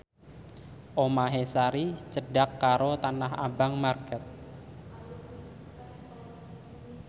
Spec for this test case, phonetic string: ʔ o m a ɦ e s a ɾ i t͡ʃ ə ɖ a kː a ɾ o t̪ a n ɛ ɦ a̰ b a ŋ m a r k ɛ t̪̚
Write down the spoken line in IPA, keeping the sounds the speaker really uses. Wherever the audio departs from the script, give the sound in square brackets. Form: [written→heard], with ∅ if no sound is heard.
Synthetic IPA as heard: ʔ o m a ɦ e s a ɾ i t͡ʃ ə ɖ a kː a ɾ o t̪ a n [ɛ→a] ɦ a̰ b a ŋ m a r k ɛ t̪̚